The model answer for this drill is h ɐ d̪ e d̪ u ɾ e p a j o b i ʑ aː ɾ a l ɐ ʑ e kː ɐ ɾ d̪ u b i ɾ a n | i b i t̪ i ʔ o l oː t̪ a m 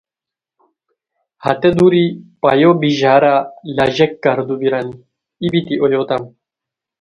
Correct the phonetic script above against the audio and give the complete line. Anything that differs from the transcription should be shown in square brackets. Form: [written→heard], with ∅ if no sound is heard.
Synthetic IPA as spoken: h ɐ [d̪→t̪] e d̪ u ɾ [e→i] p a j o b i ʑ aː ɾ a l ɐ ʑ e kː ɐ ɾ d̪ u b i ɾ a n | i b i t̪ i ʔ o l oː t̪ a m